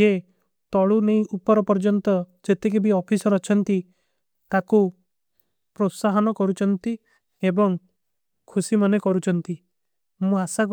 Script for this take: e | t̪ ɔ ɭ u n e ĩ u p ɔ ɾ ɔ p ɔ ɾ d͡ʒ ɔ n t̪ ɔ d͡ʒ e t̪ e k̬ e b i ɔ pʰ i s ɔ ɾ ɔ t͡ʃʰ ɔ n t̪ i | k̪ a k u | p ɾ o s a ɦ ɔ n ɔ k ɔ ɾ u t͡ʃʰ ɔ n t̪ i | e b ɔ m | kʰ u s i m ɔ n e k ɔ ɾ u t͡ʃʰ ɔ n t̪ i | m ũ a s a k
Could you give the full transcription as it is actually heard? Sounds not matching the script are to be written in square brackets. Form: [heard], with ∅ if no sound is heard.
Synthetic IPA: e | t̪ ɔ ɭ u n e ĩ u p ɔ ɾ ɔ p ɔ ɾ d͡ʒ ɔ n t̪ ɔ d͡ʒ e t̪ e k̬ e b i ɔ pʰ i s ɔ ɾ ɔ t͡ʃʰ ɔ n t̪ i | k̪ a k u | p ɾ o s a ɦ ɔ n ɔ k ɔ ɾ u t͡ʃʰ ɔ n t̪ i | e b ɔ [ŋ] | kʰ u s i m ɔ n e k ɔ ɾ u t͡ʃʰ ɔ n t̪ i | m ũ a s a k

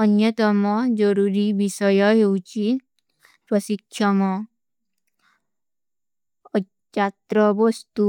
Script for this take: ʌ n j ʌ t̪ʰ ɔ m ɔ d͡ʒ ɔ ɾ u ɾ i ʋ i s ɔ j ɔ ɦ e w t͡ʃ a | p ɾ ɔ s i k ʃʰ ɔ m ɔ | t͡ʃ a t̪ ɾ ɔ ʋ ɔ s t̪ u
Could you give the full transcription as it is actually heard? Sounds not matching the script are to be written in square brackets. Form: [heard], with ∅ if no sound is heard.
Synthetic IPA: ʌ n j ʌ [t̪] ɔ m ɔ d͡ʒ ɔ ɾ u ɾ i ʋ i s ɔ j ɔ ɦ e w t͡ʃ [i] | p ɾ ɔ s i k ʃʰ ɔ m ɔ | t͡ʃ a t̪ ɾ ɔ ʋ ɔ s t̪ u

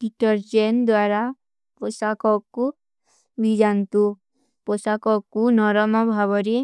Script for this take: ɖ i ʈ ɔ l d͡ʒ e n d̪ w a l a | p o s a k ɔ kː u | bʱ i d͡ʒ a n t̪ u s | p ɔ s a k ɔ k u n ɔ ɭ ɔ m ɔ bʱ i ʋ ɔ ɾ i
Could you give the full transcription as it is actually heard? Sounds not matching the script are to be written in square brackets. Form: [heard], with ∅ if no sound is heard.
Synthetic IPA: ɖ i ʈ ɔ [ɾ] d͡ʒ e n d̪ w a [ɾ] a | p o s a k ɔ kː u | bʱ i d͡ʒ a n t̪ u [∅] | p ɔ s a k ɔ k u n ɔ [ɾ] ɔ m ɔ bʱ [a] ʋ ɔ ɾ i

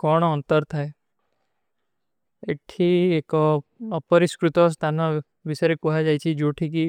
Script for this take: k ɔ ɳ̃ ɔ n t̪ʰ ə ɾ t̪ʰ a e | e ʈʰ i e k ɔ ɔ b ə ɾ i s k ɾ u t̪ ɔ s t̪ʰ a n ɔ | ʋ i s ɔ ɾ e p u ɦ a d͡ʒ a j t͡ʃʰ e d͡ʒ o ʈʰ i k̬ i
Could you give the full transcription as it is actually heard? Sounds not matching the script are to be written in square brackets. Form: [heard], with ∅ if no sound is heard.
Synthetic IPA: k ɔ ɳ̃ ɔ n [t̪] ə ɾ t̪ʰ a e | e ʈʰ i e k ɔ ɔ [p] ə ɾ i s k ɾ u t̪ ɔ s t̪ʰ a n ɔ | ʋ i s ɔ ɾ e [k] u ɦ a d͡ʒ a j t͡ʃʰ [i] d͡ʒ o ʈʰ i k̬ i

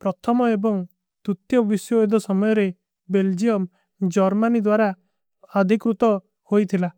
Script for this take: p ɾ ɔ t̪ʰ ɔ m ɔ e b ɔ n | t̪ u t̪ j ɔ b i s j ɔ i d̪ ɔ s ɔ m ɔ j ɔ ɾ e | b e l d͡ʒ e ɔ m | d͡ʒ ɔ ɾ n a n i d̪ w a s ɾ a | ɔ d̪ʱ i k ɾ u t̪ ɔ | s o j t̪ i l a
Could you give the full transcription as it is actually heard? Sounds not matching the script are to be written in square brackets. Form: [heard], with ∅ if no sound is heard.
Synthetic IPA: p ɾ ɔ t̪ʰ ɔ m ɔ e b ɔ [ŋ] | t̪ u t̪ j ɔ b i s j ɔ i d̪ ɔ s ɔ m ɔ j ɔ ɾ e | b e l d͡ʒ [i] ɔ m | d͡ʒ ɔ ɾ [m] a n i d̪ w a [∅] ɾ a | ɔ d̪ʱ i k ɾ u t̪ ɔ | [h] o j [t̪ʰ] i l a

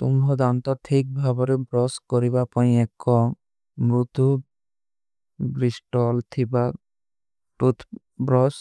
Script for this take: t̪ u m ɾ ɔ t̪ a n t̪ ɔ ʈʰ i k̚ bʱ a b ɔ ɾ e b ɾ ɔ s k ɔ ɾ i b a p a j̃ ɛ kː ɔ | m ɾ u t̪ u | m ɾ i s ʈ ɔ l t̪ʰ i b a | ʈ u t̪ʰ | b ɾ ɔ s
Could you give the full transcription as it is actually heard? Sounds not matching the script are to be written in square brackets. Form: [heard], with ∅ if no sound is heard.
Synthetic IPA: t̪ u m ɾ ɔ [d̪] a n t̪ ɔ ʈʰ i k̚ bʱ a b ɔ ɾ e b ɾ ɔ s k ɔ ɾ i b a p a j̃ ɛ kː ɔ | m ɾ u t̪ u | [b] ɾ i s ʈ ɔ l t̪ʰ i b a | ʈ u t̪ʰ | b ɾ ɔ s

